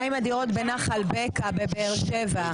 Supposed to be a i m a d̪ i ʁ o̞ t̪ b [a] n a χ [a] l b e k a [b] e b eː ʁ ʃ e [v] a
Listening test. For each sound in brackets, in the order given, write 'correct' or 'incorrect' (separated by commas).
incorrect, correct, correct, correct